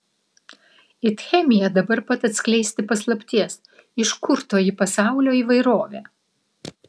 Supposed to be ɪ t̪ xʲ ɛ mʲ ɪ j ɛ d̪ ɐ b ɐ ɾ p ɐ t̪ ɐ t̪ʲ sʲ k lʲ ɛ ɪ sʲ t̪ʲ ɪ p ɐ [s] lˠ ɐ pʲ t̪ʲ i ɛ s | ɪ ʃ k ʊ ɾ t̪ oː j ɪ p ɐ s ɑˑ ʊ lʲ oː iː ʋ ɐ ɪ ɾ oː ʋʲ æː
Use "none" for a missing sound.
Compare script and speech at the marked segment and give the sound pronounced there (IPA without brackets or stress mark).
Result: s